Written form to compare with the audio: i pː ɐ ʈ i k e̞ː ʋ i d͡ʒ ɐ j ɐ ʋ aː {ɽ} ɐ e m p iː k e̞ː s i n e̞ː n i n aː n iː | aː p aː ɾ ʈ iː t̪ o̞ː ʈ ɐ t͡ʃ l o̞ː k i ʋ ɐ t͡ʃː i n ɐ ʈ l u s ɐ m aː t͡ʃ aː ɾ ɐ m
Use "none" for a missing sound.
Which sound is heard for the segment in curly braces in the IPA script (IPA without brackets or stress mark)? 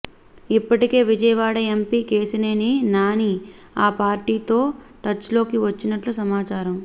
ɽ